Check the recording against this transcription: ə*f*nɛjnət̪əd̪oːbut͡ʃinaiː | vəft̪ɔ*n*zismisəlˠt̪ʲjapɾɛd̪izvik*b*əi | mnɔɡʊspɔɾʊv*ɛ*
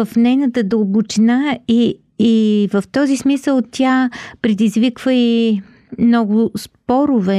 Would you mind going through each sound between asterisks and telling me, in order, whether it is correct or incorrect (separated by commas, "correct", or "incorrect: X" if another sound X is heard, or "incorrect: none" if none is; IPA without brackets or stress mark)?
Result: correct, incorrect: none, incorrect: v, correct